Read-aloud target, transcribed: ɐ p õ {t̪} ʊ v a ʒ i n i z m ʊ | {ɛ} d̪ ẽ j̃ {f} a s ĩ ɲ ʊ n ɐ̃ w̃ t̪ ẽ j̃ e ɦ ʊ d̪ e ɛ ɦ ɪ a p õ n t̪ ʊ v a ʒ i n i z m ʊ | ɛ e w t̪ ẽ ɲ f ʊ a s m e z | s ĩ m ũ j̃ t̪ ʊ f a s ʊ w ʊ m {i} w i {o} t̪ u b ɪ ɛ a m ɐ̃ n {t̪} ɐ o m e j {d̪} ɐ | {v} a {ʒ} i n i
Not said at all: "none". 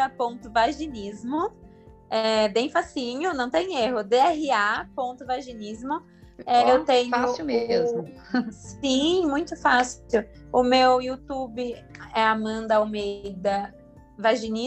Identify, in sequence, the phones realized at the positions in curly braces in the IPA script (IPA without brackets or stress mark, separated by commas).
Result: t̪, ɛ, f, e, u, d̪, d̪, v, ʒ